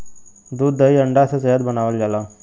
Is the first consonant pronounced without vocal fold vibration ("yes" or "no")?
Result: no